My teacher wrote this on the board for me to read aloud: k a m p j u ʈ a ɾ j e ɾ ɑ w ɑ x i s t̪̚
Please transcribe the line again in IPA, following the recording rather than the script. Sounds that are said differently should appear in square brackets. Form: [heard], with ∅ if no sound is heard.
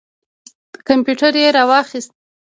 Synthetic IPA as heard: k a m p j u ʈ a ɾ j e ɾ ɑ w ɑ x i s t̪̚